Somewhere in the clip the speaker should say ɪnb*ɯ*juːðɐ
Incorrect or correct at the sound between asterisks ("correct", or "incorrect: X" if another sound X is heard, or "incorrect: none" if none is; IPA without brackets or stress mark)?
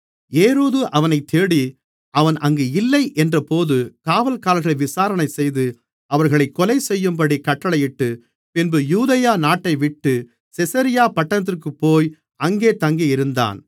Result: correct